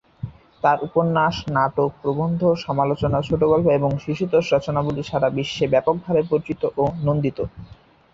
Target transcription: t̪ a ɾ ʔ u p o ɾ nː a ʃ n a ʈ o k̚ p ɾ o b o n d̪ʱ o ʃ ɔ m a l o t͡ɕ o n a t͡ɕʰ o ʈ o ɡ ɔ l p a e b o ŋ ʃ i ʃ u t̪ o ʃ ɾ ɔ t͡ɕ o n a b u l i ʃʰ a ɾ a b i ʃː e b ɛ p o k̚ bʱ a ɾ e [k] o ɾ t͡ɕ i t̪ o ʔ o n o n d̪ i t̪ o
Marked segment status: incorrect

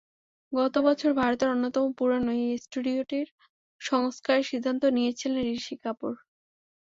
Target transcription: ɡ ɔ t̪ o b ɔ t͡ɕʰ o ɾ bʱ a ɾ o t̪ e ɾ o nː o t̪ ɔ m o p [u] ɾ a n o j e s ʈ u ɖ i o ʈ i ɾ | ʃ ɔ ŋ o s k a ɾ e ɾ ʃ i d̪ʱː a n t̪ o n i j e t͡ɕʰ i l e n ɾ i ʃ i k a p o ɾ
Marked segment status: correct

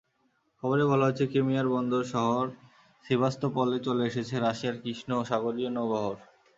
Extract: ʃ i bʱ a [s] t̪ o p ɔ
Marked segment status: correct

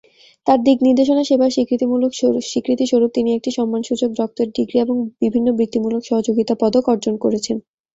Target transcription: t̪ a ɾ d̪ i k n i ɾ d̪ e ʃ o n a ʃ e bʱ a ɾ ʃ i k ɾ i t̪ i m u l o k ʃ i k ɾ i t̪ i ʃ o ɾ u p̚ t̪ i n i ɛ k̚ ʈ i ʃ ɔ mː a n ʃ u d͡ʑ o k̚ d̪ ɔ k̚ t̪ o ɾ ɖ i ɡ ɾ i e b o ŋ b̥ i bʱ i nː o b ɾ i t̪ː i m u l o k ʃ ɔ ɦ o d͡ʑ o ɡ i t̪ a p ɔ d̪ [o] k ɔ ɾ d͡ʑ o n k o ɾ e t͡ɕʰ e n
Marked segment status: correct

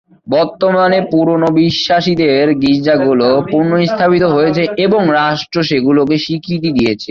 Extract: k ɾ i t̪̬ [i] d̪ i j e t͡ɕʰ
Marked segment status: correct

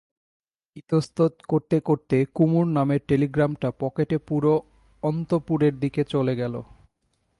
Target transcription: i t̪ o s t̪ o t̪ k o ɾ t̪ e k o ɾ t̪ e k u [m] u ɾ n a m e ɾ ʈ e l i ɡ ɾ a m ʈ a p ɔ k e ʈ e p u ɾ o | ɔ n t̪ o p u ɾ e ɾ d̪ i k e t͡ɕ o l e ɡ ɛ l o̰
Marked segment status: correct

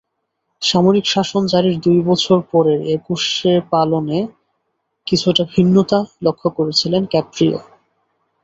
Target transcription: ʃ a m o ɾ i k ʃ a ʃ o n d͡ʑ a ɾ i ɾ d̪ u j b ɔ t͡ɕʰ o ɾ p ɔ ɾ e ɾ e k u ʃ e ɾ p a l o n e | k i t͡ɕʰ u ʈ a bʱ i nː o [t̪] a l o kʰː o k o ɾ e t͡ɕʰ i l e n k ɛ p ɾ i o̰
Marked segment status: correct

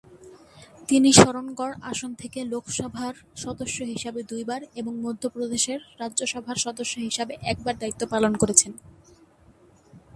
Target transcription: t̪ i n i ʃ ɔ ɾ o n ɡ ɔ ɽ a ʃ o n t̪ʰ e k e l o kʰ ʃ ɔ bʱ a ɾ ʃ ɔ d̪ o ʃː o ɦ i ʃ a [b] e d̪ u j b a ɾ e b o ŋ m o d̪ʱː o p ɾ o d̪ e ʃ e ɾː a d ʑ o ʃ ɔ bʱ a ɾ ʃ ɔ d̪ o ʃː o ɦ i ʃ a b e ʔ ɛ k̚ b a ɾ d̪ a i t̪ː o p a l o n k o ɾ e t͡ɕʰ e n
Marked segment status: correct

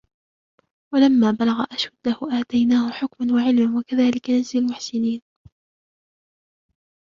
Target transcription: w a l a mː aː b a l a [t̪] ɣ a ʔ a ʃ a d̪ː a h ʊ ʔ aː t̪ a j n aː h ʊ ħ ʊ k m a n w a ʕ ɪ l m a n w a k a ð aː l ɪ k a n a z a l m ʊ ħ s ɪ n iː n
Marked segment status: incorrect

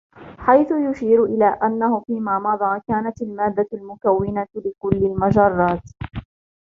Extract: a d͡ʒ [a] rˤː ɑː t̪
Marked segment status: incorrect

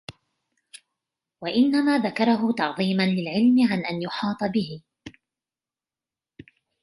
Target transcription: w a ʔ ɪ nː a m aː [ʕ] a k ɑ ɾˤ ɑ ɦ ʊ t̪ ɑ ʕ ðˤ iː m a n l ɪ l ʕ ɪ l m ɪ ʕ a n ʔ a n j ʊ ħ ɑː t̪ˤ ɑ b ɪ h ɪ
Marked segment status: incorrect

